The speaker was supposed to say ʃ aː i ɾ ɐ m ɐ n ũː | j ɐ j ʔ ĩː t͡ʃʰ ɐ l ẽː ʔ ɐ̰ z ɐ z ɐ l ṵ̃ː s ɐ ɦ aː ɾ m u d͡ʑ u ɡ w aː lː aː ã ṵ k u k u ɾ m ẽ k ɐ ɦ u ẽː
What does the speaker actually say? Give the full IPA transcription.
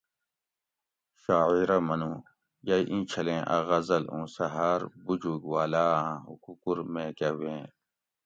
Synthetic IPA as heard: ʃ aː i ɾ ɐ m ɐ n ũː | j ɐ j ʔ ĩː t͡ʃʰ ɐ l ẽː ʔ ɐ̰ ɣ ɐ z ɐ l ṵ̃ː s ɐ ɦ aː ɾ b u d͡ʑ u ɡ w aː l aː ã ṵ k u k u ɾ m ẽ k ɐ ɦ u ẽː